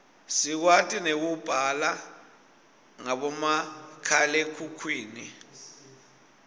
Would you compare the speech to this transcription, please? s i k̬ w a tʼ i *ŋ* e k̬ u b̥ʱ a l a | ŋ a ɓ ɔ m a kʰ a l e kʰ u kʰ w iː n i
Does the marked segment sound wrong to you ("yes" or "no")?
yes